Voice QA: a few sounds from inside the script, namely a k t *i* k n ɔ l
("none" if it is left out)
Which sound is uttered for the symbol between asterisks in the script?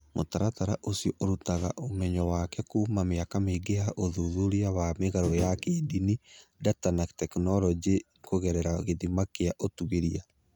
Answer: ɛ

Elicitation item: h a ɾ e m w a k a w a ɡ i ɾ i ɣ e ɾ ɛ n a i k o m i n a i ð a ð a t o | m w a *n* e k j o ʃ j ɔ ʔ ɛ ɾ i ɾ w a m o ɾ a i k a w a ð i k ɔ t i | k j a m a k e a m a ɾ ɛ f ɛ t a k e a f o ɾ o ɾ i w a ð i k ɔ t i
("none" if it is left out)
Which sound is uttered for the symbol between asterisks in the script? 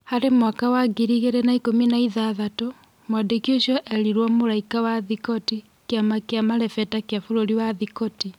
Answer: d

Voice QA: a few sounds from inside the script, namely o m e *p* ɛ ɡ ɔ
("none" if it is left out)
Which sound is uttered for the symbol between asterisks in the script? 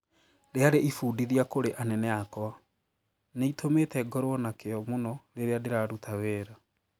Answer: t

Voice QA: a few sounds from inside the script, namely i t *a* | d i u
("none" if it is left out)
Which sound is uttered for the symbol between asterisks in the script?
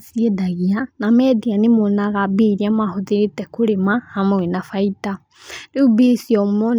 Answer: a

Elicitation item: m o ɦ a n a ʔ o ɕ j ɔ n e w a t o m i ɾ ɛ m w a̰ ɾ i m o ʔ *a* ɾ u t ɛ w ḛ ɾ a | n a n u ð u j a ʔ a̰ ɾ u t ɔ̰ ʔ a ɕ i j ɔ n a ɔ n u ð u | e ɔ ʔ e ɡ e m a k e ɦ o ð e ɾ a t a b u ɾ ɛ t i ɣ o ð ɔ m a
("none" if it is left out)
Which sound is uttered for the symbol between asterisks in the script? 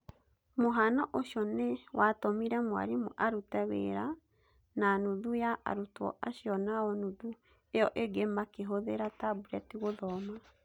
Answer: a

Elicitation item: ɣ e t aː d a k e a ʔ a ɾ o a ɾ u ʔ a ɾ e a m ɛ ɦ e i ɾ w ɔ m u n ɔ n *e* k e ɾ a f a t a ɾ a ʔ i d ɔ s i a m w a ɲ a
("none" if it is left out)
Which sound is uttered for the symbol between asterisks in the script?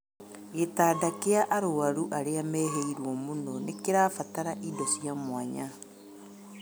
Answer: e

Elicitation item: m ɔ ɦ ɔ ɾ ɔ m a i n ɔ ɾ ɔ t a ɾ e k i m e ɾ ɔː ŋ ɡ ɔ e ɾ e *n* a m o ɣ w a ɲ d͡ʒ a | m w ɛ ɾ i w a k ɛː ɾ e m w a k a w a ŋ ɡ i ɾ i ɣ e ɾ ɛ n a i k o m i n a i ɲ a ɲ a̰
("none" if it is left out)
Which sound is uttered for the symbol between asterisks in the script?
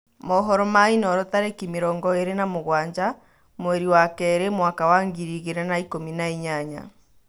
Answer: n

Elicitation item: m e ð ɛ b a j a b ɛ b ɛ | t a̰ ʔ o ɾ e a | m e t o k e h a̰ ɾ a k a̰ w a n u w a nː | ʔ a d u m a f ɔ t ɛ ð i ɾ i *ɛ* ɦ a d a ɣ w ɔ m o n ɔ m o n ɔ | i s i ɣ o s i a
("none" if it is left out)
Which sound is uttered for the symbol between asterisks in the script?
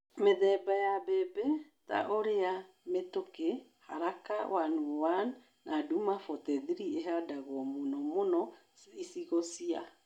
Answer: e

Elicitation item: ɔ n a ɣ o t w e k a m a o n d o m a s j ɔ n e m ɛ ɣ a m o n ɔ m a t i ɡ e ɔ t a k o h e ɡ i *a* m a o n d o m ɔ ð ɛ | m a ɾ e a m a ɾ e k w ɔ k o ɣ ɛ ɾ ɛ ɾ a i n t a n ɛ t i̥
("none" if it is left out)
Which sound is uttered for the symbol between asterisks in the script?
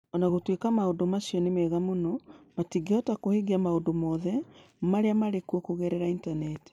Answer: a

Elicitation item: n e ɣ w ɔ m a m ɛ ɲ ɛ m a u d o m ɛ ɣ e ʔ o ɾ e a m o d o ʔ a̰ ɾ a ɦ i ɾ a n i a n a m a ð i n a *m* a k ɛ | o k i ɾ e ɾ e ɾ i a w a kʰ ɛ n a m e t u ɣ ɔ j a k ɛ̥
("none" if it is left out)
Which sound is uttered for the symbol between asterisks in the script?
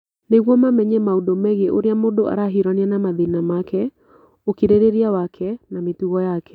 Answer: m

